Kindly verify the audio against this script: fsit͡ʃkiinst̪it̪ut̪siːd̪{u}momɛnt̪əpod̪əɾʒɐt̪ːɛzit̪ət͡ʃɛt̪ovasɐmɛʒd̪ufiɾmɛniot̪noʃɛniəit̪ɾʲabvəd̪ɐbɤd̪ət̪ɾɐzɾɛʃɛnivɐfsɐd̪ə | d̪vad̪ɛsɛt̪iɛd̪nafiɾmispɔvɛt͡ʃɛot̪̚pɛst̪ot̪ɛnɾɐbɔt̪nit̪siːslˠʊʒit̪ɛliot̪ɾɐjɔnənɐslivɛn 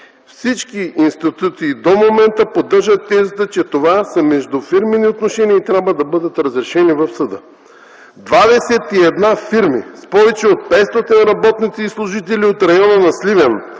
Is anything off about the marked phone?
yes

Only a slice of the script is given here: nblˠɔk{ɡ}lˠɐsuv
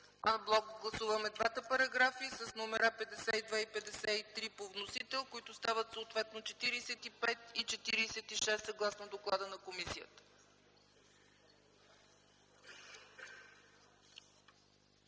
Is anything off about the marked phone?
no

